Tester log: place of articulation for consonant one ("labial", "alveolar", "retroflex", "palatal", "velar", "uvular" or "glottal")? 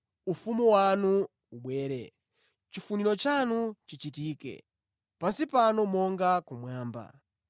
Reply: labial